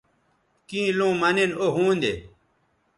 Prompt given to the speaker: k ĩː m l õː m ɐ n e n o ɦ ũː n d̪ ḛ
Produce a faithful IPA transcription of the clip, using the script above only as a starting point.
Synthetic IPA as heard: k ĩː l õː m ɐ n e n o ɦ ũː n d̪ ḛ